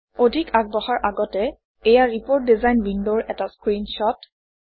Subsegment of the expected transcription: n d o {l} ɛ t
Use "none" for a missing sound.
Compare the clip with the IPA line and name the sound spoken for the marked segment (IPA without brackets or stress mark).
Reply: ɹ